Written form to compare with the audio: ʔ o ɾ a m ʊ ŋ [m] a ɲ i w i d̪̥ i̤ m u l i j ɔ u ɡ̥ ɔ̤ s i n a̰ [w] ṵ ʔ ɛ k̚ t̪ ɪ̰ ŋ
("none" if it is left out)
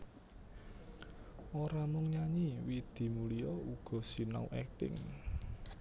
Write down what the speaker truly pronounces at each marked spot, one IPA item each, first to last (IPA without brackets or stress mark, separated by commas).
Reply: ɲ, none